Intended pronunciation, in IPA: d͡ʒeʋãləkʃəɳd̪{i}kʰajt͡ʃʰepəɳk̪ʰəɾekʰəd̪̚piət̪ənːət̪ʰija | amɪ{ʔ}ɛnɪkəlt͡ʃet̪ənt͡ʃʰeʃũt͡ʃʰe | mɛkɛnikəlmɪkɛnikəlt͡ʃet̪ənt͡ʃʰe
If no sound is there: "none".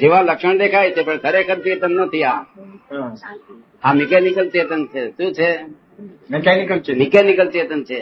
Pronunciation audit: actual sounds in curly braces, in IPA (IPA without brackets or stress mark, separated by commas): e, k